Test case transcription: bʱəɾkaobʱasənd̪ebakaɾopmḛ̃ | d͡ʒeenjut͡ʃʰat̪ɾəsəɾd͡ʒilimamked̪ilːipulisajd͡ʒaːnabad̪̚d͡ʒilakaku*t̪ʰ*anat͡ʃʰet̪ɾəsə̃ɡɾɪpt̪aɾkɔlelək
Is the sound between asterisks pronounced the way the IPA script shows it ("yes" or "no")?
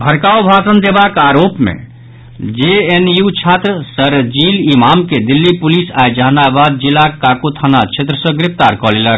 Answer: yes